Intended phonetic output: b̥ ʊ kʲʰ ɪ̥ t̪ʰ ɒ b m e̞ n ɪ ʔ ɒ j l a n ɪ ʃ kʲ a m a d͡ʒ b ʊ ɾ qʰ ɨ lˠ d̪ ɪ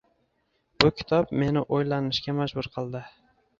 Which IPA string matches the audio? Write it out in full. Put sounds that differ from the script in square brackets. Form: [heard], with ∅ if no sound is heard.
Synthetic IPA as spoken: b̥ ʊ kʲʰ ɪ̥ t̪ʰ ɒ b m e̞ n ɪ ʔ [o] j l a n ɪ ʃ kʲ a m a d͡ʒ b ʊ ɾ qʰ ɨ lˠ d̪ ɪ